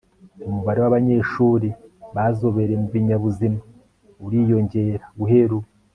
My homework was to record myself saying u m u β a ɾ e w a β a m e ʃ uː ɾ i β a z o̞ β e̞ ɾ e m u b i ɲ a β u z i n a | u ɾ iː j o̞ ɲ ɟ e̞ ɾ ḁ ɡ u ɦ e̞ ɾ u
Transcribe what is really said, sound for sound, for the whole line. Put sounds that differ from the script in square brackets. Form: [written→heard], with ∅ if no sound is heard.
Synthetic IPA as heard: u m u β a ɾ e w a β a [m→ɲ] e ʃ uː ɾ i β a z o̞ β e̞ ɾ e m u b i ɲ a β u z i [n→m] a | u ɾ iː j o̞ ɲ ɟ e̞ ɾ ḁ ɡ u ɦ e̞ ɾ u